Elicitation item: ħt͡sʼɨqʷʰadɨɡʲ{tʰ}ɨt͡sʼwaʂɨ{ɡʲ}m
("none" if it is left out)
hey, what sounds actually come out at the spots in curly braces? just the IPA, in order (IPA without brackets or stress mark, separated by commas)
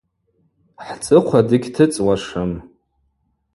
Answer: tʰ, none